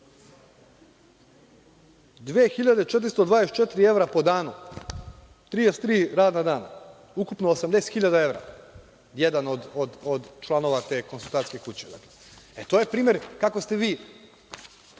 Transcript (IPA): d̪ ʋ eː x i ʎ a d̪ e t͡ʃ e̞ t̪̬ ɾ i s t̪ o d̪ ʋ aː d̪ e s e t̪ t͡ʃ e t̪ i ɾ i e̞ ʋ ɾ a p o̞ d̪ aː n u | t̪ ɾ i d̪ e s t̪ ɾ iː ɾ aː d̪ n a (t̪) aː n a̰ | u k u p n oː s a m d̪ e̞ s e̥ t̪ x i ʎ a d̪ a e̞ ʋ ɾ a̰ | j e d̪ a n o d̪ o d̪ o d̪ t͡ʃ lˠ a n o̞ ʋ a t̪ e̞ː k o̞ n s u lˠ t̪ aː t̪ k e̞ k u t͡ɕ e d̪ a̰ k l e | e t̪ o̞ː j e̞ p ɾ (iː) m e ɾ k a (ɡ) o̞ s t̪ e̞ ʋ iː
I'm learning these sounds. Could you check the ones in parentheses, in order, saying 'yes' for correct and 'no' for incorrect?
no, yes, no

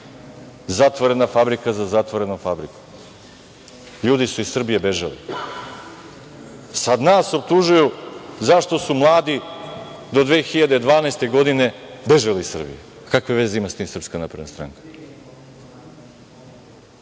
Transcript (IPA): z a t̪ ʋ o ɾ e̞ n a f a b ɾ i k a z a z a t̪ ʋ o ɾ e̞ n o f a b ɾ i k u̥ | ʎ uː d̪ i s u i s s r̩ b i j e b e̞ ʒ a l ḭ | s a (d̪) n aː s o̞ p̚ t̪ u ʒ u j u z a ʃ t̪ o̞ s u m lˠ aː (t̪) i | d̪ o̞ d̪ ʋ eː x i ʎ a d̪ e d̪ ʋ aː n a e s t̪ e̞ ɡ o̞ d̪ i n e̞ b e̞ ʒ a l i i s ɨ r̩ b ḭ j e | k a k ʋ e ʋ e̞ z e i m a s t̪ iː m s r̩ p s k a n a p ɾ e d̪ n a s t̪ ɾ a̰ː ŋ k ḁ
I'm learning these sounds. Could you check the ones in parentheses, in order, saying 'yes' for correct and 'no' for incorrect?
yes, no

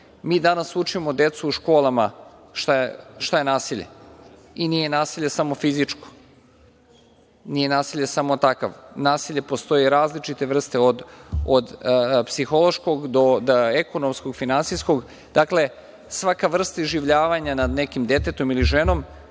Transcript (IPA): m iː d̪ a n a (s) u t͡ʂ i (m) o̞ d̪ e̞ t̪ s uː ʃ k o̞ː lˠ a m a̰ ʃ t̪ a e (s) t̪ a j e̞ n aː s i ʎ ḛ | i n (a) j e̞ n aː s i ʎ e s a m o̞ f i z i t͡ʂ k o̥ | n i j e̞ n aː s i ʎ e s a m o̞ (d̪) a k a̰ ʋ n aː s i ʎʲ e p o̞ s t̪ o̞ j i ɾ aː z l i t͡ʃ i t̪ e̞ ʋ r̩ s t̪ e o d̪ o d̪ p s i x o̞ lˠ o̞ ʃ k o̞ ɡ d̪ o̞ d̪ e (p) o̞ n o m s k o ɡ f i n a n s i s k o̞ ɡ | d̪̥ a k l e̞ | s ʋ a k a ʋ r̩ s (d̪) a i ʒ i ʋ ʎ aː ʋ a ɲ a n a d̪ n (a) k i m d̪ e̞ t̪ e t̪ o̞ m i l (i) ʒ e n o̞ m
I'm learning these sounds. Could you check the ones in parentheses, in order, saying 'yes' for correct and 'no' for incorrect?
yes, yes, no, no, no, no, no, no, yes

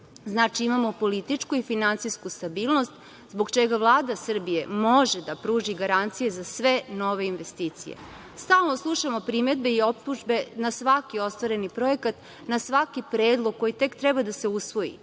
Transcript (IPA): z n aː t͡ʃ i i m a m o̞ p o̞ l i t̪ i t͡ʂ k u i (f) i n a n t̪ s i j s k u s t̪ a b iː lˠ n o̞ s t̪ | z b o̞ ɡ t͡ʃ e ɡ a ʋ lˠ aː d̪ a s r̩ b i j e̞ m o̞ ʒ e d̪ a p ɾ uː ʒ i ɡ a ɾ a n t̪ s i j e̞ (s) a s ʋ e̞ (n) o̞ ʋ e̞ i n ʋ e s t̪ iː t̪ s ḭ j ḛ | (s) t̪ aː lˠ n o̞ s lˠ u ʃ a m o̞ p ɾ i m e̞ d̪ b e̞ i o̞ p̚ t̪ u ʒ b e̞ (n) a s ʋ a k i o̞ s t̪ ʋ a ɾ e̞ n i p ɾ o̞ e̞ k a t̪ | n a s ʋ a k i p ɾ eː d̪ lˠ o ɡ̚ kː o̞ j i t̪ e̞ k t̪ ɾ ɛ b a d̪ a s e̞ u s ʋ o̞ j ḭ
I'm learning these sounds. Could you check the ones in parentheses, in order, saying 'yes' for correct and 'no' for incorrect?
yes, no, yes, yes, yes

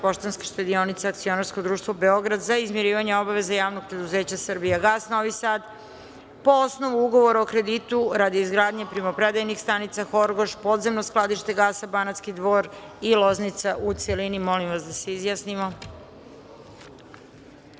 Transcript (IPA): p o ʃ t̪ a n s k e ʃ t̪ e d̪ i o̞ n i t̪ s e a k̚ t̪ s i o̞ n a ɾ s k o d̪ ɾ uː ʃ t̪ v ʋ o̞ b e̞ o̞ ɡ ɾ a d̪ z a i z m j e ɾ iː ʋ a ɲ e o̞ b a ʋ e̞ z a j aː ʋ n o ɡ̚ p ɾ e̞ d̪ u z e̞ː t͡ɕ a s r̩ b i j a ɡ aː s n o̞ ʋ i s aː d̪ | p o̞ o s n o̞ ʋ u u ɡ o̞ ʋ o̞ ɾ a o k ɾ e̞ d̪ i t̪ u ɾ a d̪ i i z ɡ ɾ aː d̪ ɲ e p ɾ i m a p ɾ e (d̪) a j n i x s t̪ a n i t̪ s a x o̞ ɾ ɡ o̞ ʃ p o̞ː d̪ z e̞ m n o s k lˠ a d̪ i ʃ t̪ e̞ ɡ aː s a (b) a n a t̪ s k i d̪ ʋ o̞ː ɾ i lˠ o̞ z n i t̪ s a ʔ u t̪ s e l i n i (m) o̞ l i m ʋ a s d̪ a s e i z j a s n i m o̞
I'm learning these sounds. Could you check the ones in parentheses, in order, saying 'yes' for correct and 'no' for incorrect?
yes, yes, yes

